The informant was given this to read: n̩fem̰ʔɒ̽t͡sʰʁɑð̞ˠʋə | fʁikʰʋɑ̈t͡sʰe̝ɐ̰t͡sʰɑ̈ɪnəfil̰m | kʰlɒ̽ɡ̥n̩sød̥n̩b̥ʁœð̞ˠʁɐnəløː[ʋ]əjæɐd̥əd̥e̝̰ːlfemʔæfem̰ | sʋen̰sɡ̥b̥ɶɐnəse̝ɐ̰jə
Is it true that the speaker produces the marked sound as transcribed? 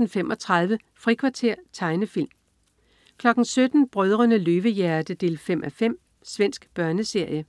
yes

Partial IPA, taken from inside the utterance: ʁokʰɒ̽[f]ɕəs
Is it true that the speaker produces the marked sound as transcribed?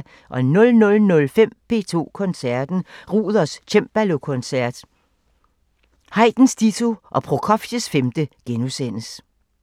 yes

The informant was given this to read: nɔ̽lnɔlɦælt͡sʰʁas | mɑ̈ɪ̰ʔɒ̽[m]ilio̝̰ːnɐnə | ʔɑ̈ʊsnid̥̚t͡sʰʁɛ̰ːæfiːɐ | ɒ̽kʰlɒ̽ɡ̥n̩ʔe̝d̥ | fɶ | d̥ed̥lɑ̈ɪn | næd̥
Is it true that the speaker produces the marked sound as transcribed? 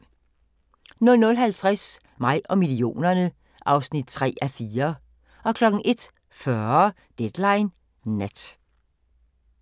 yes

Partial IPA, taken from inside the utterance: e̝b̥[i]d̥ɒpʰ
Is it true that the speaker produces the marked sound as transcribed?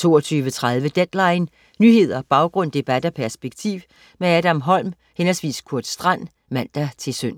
no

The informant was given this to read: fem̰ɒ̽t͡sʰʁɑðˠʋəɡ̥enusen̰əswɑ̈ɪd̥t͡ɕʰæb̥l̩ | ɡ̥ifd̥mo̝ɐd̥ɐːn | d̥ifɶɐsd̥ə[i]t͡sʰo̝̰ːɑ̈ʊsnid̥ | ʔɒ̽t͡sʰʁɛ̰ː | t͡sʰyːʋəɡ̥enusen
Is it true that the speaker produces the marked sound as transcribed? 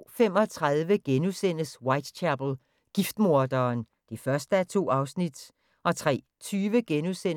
no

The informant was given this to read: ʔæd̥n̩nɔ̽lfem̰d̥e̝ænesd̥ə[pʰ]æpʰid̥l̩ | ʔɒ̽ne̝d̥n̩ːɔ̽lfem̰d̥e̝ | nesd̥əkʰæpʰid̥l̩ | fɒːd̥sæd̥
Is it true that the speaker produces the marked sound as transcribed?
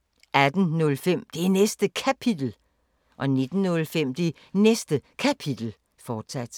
no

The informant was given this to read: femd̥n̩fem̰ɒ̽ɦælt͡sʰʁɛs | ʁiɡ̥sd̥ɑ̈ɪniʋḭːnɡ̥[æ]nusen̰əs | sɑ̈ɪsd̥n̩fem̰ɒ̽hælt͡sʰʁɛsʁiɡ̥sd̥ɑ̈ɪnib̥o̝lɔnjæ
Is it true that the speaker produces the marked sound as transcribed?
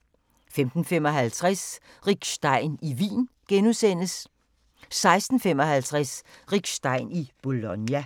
no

